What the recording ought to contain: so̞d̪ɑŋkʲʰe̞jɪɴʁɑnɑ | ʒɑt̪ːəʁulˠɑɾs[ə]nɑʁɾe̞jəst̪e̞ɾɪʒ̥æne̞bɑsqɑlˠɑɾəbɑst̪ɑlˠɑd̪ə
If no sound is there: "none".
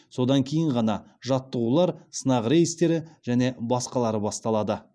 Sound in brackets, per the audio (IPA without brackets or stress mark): ə